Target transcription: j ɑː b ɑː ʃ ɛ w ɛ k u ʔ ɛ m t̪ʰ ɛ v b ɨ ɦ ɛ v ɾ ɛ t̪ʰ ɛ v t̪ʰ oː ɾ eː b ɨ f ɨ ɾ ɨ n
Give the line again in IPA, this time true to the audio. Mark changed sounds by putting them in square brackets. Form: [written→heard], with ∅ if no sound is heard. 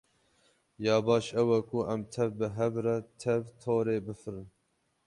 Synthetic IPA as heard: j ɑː b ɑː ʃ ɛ w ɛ k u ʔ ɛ m t̪ʰ ɛ v b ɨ ɦ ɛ v ɾ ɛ t̪ʰ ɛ v t̪ʰ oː ɾ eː b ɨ f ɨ ɾ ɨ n